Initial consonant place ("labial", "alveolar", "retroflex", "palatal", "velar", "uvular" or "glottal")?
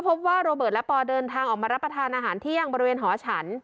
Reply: labial